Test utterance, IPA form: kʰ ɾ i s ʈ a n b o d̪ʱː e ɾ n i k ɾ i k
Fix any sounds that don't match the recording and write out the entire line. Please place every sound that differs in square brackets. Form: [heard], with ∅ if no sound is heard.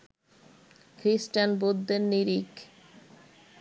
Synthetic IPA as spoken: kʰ ɾ i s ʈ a n b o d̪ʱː e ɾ n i [∅] ɾ i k

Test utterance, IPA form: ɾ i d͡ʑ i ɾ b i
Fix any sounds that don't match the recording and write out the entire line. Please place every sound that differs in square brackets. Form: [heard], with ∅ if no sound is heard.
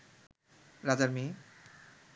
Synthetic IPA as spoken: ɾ [a] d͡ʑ [a] ɾ [m] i

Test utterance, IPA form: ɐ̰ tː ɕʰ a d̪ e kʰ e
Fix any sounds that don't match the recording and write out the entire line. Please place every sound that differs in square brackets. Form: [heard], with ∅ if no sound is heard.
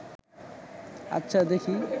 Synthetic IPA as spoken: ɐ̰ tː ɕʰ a d̪ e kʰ [i]

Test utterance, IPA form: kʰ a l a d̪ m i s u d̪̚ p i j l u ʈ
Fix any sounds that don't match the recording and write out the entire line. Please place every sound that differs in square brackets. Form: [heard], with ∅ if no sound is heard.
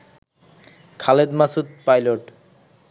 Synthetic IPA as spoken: kʰ a l [e] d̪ m [a] s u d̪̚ p [a] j l [o] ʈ

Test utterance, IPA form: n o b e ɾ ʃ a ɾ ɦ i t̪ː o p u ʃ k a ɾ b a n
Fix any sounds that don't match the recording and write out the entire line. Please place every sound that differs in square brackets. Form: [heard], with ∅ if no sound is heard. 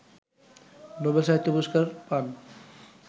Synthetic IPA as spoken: n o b e [l] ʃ a [∅] ɦ i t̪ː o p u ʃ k a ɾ [p] a n

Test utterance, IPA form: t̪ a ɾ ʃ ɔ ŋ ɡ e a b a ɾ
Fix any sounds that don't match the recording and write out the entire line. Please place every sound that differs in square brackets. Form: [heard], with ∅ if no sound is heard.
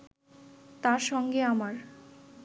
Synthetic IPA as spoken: t̪ a ɾ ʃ ɔ ŋ ɡ e a [m] a ɾ

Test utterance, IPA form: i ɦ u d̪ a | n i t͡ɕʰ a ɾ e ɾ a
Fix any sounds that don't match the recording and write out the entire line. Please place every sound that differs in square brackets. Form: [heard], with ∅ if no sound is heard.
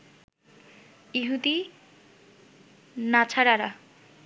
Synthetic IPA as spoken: i ɦ u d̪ [i] | n [a] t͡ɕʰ a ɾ [a] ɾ a

